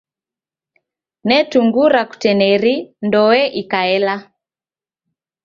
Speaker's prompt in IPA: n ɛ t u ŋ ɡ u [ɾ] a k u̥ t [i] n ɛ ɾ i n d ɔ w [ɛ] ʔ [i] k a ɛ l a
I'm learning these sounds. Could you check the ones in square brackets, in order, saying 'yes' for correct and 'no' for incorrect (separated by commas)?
yes, no, yes, yes